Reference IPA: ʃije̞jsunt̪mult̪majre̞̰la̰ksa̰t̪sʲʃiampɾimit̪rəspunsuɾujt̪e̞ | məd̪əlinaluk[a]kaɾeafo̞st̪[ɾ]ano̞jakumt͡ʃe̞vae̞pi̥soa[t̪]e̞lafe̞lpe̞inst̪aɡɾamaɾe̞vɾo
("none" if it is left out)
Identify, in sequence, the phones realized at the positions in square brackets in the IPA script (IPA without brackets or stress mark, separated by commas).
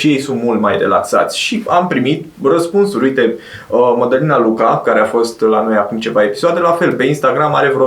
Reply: a, l, d̪